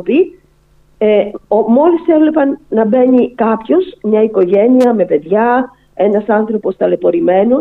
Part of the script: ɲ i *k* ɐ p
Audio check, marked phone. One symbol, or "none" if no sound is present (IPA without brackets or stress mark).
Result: k